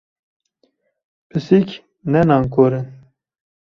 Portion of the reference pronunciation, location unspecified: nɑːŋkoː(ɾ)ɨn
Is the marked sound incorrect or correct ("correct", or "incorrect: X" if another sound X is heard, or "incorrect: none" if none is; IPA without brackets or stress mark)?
correct